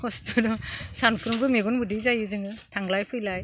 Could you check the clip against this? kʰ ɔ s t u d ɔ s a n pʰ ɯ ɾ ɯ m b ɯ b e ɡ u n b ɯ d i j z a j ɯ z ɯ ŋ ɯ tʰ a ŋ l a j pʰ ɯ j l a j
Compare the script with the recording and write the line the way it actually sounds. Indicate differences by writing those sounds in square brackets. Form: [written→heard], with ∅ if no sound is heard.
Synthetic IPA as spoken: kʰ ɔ s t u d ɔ s a n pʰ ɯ ɾ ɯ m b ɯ [b→m] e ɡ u n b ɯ d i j z a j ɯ z ɯ ŋ ɯ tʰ a ŋ l a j pʰ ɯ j l a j